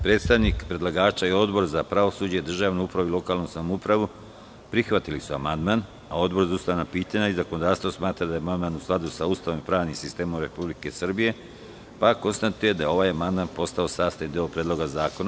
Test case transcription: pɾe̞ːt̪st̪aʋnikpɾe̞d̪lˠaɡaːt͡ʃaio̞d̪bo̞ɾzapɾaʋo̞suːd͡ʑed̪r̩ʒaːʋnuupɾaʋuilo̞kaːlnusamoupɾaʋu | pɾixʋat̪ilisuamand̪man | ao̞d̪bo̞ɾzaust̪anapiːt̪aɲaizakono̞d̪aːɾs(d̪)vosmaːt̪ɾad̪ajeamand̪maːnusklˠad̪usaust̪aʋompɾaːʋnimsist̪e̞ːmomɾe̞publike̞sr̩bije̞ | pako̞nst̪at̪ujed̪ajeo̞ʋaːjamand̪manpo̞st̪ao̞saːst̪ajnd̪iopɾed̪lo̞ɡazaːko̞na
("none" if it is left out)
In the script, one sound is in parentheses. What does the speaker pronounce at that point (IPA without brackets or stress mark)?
t̪